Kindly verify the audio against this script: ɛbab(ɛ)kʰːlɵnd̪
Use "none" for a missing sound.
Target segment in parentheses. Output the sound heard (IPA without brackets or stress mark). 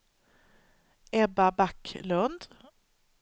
a